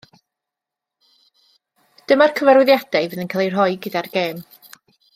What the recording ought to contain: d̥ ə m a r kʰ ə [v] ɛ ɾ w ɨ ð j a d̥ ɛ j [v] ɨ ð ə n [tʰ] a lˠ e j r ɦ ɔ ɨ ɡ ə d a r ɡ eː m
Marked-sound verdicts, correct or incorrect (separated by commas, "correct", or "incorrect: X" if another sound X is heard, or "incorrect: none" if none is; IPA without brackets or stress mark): correct, correct, incorrect: kʰ